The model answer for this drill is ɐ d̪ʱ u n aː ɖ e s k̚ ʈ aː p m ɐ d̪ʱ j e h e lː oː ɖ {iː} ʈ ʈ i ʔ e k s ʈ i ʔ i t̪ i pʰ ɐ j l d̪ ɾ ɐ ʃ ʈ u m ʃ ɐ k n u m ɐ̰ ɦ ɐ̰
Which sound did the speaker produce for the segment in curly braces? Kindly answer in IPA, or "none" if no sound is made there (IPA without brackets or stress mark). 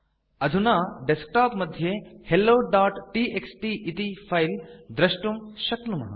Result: aː